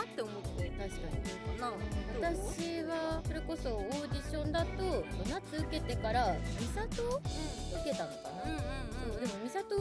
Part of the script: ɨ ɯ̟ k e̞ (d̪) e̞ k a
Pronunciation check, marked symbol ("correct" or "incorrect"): incorrect